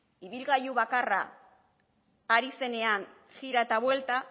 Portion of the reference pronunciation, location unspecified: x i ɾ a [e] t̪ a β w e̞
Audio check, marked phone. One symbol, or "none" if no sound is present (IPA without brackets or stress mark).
e